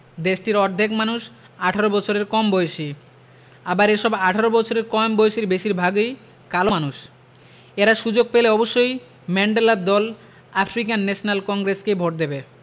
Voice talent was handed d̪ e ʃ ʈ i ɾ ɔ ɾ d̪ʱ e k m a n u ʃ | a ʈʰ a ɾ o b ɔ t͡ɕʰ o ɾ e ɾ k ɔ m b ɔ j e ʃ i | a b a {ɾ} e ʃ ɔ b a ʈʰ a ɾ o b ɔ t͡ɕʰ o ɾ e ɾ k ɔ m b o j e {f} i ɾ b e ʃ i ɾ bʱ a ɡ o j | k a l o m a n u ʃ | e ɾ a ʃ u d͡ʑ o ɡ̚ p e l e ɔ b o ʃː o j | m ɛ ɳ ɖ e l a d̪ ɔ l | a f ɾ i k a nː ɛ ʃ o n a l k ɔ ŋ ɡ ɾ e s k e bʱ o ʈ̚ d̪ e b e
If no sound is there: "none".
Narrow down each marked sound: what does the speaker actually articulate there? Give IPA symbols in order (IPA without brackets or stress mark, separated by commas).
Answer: ɾ, ʃ